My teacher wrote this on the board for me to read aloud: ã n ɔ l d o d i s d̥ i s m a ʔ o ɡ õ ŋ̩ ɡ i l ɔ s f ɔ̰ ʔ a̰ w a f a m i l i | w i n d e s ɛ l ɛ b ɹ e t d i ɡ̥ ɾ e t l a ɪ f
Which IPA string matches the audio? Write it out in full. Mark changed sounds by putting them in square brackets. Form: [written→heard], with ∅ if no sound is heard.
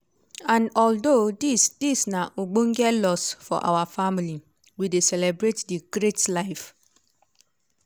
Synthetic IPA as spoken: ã n ɔ l d o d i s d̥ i s [m→n] a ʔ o [ɡ→ɡ͡b] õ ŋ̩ ɡ [i→ɛ] l ɔ s f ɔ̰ ʔ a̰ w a f a m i l i | w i [n→∅] d e s ɛ l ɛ b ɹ e t d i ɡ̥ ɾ e t l a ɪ f